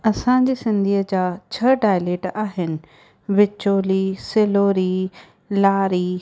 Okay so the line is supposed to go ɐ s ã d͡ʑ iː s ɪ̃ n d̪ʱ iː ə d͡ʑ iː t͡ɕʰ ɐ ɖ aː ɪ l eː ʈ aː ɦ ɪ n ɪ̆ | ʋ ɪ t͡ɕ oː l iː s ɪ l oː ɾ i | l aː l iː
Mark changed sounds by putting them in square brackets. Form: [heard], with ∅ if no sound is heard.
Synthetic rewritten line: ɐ s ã d͡ʑ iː s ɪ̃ n d̪ʱ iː ə d͡ʑ [aː] t͡ɕʰ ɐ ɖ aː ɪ l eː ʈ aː ɦ ɪ n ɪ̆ | ʋ ɪ t͡ɕ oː l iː s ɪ l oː ɾ i | l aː [ɾ] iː